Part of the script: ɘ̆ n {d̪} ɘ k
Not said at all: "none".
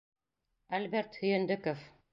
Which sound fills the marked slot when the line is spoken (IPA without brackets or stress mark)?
d̪